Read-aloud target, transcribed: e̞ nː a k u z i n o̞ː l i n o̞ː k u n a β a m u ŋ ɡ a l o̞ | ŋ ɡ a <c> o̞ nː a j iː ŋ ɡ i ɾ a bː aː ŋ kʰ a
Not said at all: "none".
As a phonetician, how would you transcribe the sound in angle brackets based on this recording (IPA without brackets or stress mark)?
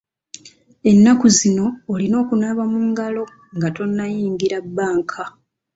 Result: t